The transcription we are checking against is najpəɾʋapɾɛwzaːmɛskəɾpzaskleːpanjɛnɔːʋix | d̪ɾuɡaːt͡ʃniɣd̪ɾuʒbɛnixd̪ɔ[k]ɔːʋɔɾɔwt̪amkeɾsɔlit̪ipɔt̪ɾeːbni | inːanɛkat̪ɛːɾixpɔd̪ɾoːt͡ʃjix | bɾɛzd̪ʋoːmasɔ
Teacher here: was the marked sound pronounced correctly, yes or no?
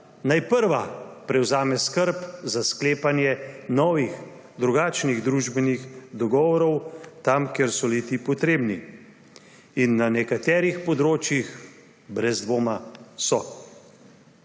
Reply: no